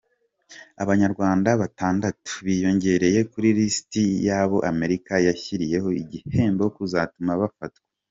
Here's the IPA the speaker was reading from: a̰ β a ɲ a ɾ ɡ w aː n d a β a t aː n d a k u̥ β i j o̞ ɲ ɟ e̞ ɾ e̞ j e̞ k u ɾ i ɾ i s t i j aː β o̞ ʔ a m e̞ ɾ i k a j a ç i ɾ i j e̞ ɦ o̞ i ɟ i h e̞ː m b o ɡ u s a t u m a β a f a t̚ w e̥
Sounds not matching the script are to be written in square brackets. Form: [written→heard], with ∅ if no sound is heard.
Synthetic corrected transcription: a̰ β a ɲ a ɾ ɡ w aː n d a β a t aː n d a [k→t] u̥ β i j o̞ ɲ ɟ e̞ ɾ e̞ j e̞ k u ɾ i ɾ i s t i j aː β o̞ ʔ a m e̞ ɾ i k a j a ç i ɾ i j e̞ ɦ o̞ i ɟ i h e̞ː m b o [ɡ→k] u [s→z] a t u m a β a f a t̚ w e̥